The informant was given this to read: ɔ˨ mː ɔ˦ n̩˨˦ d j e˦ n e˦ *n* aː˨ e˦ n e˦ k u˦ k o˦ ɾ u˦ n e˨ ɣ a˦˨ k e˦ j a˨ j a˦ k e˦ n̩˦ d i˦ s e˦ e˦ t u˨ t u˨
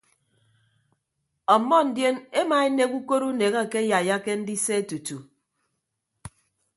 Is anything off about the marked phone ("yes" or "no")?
yes